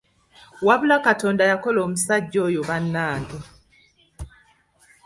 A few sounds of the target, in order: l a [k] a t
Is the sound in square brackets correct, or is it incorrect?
correct